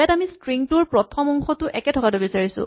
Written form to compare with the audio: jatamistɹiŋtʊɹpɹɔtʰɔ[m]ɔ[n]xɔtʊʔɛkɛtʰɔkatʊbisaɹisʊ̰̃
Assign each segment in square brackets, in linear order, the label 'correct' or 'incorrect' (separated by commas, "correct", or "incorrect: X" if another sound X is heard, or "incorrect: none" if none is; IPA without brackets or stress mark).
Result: correct, incorrect: ŋ